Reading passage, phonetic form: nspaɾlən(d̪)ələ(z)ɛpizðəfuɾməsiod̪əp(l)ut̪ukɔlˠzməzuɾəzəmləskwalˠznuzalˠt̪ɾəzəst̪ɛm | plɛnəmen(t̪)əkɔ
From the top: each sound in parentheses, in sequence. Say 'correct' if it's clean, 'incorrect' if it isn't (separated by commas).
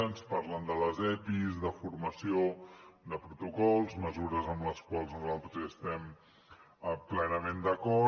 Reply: correct, correct, incorrect, incorrect